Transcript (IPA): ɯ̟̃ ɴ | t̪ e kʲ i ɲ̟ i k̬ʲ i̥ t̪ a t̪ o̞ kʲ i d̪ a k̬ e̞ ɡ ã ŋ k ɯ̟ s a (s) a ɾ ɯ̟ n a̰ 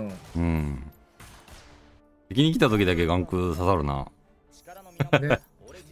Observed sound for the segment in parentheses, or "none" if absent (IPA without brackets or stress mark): s